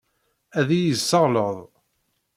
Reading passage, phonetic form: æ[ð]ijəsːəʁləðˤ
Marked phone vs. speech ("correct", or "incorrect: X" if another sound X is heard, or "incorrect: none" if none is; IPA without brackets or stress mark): correct